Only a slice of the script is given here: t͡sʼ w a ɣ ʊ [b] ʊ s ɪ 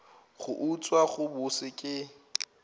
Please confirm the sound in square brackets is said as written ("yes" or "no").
yes